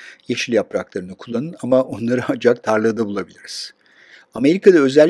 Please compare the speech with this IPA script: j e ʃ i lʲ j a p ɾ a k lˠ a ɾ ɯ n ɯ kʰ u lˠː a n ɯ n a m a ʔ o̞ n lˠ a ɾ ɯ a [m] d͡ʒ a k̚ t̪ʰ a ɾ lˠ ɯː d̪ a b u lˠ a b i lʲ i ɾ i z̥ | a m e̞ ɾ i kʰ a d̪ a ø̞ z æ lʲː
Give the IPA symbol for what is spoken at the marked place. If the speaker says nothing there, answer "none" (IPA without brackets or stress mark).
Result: n